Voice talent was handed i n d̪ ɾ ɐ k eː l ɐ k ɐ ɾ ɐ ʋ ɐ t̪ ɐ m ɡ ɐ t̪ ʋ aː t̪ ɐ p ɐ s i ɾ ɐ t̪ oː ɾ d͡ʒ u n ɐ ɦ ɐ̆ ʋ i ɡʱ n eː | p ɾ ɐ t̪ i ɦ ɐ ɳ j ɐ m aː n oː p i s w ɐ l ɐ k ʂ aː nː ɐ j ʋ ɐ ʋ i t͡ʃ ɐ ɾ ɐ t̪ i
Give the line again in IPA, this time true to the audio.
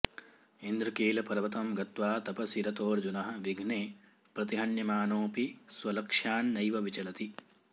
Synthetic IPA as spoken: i n d̪ ɾ ɐ k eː l ɐ p ɐ ɾ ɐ ʋ ɐ t̪ ɐ m ɡ ɐ t̪ ʋ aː t̪ ɐ p ɐ s i ɾ ɐ t̪ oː ɾ d͡ʒ u n ɐ ɦ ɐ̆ ʋ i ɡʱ n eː | p ɾ ɐ t̪ i ɦ ɐ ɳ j ɐ m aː n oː p i s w ɐ l ɐ k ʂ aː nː ɐ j ʋ ɐ ʋ i t͡ʃ ɐ l ɐ t̪ i

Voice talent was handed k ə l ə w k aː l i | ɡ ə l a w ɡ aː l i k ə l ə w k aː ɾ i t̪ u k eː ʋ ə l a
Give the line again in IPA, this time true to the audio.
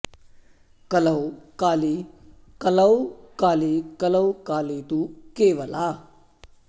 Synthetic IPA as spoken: k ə l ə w k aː l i | k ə l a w k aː l i k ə l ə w k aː l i t̪ u k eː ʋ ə l a

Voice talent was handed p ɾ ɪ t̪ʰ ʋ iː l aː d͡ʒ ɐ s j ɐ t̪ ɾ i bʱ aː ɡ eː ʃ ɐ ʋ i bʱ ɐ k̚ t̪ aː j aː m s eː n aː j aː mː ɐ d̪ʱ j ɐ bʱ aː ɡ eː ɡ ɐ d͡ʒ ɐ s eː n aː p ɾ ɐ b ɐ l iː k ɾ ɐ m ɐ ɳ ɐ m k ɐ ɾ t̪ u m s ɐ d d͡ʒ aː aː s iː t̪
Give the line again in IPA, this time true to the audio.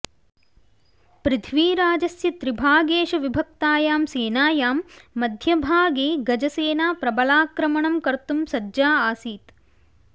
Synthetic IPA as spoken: p ɾ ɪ t̪ʰ ʋ iː ɾ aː d͡ʒ ɐ s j ɐ t̪ ɾ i bʱ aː ɡ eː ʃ ɐ ʋ i bʱ ɐ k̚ t̪ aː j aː m s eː n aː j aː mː ɐ d̪ʱ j ɐ bʱ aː ɡ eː ɡ ɐ d͡ʒ ɐ s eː n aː p ɾ ɐ b ɐ l aː k ɾ ɐ m ɐ ɳ ɐ m k ɐ ɾ t̪ u m s ɐ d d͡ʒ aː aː s iː t̪

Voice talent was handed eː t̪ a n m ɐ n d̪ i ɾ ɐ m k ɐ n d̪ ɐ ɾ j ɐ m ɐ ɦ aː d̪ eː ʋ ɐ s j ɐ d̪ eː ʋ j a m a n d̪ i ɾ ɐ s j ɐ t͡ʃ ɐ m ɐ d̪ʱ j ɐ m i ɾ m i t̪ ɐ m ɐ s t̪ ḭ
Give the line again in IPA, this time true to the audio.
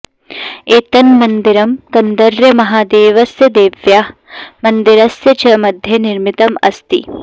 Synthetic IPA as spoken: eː t̪ ɐ n m ɐ n d̪ i ɾ ɐ m k ɐ n d̪ ɐ ɾ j ɐ m ɐ ɦ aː d̪ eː ʋ ɐ s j ɐ d̪ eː ʋ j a m ɐ n d̪ i ɾ ɐ s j ɐ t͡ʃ ɐ m ɐ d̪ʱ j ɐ n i ɾ m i t̪ ɐ m ɐ s t̪ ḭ

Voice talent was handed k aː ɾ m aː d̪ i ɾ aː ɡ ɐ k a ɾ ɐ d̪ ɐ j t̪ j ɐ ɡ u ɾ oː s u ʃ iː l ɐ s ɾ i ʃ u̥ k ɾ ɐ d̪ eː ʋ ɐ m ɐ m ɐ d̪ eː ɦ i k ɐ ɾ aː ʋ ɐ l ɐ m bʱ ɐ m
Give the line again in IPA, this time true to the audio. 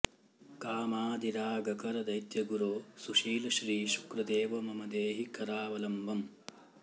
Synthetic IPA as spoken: k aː m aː d̪ i ɾ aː ɡ ɐ k ɐ ɾ ɐ d̪ ɐ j t̪ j ɐ ɡ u ɾ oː s u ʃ iː l ɐ ʃ ɾ iː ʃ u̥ k ɾ ɐ d̪ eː ʋ ɐ m ɐ m ɐ d̪ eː ɦ i k ɐ ɾ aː ʋ ɐ l ɐ m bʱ ɐ m

